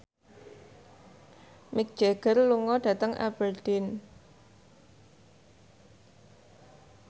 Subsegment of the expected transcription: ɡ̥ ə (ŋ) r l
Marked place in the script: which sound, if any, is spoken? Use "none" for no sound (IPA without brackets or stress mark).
none